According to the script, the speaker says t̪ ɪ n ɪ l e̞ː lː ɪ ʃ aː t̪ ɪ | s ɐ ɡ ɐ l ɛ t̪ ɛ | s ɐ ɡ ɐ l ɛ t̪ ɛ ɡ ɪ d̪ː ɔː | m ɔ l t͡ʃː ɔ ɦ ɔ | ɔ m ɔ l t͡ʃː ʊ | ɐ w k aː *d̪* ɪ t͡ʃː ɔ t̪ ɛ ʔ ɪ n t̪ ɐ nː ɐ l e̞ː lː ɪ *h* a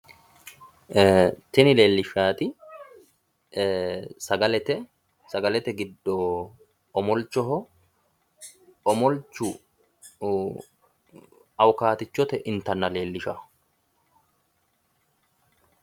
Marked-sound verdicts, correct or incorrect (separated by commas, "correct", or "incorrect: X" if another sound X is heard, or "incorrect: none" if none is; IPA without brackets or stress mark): incorrect: t̪, incorrect: ʃ